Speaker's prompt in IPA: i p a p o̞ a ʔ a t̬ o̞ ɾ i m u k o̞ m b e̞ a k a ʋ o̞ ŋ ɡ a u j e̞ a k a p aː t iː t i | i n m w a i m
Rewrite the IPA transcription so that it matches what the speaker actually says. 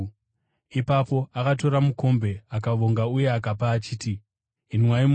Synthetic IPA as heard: i p a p o̞ a k a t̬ o̞ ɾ a m u k o̞ m b e̞ a k a ʋ o̞ ŋ ɡ a u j e̞ a k a p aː t͡ʃ iː t i | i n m w a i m

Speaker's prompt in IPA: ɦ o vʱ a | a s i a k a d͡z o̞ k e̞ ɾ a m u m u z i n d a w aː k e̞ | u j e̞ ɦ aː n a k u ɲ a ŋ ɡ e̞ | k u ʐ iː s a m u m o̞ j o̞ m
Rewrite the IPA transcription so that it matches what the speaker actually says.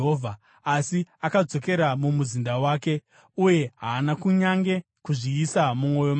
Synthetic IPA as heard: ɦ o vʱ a | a s i a k a d͡z o̞ k e̞ ɾ a m u m u z i n d a w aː k e̞ | u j e̞ ɦ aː n a k u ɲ a ŋ ɡ e̞ | k u ʐ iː s a m u m o̞ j o̞ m

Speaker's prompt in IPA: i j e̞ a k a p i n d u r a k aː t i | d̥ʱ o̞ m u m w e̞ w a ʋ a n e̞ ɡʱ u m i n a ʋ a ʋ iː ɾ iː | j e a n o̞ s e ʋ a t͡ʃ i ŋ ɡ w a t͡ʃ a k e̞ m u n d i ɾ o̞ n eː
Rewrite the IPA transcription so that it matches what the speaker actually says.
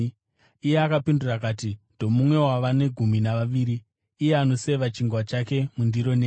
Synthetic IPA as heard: i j e̞ a k a p i n d u r a k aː t i | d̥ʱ o̞ m u m w e̞ w a ʋ a n e̞ ɡʱ u m i n a ʋ a ʋ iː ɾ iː | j e a n o̞ s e ʋ a t͡ʃ i ŋ ɡ w a t͡ʃ a k e̞ m u n d i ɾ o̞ n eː

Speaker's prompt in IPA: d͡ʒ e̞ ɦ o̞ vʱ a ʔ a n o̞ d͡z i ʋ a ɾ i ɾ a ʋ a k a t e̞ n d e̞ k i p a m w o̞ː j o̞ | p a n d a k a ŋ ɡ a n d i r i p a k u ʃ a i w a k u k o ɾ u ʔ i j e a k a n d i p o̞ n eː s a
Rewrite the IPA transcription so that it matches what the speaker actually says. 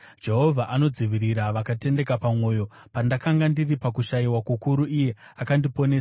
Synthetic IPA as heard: d͡ʒ e̞ ɦ o̞ vʱ a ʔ a n o̞ d͡z i ʋ i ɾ i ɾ a ʋ a k a t e̞ n d e̞ k a p a m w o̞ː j o̞ | p a n d a k a ŋ ɡ a n d i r i p a k u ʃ a i w a k u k u ɾ u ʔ i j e a k a n d i p o̞ n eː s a

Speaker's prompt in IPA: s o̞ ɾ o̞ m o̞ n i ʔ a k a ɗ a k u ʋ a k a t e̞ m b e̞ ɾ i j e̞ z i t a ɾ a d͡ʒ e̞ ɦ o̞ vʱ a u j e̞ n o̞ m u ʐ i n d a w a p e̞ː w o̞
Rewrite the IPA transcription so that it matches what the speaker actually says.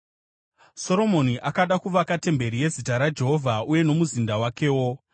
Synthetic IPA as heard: s o̞ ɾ o̞ m o̞ n i ʔ a k a ɗ a k u ʋ a k a t e̞ m b e̞ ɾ i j e̞ z i t a ɾ a d͡ʒ e̞ ɦ o̞ vʱ a u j e̞ n o̞ m u z i n d a w a k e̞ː w o̞

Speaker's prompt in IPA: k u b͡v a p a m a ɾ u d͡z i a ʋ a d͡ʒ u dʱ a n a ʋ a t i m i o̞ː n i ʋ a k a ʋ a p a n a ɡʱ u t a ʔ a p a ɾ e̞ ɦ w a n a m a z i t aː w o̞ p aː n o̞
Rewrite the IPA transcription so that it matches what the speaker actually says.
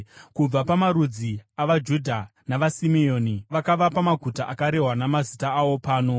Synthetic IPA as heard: k u b͡v a p a m a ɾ u d͡z i a ʋ a d͡ʒ u dʱ a n a ʋ a s i m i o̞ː n i ʋ a k a ʋ a p a m a ɡʱ u t a ʔ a k a ɾ e̞ ɦ w a n a m a z i t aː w o̞ p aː n o̞

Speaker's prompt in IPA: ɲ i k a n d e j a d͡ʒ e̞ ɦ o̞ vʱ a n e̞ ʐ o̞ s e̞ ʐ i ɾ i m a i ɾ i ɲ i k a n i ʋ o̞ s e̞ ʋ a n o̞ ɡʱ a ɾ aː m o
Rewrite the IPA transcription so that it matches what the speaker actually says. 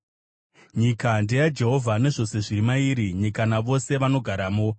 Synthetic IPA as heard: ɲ i k a n d e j a d͡ʒ e̞ ɦ o̞ vʱ a n e̞ ʐ o̞ s e̞ ʐ i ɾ i m a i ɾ i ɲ i k a n a ʋ o̞ s e̞ ʋ a n o̞ ɡʱ a ɾ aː m o

